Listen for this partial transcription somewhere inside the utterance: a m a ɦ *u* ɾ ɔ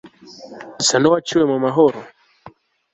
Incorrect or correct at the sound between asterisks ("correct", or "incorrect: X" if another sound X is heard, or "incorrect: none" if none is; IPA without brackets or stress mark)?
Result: incorrect: ɔ